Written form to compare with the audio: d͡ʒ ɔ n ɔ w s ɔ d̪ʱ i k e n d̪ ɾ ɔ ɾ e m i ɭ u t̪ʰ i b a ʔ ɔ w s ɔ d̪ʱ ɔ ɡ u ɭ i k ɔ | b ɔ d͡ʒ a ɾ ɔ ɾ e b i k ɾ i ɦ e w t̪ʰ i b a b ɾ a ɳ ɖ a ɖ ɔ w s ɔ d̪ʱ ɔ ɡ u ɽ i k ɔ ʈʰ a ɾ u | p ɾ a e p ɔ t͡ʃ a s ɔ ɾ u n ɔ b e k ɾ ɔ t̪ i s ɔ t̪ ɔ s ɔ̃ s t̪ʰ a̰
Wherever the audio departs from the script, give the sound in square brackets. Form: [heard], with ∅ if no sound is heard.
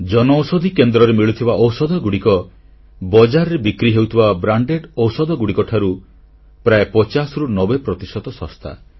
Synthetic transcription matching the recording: d͡ʒ ɔ n ɔ w s ɔ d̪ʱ i k e n d̪ ɾ ɔ ɾ e m i ɭ u t̪ʰ i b a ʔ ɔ w s ɔ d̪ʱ ɔ ɡ u [ɽ] i k ɔ | b ɔ d͡ʒ a ɾ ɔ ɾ e b i k ɾ i ɦ e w t̪ʰ i b a b ɾ a ɳ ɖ [e] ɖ ɔ w s ɔ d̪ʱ ɔ ɡ u ɽ i k ɔ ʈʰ a ɾ u | p ɾ a e p ɔ t͡ʃ a s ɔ ɾ u n ɔ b e [p] ɾ ɔ t̪ i s ɔ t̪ ɔ s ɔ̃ s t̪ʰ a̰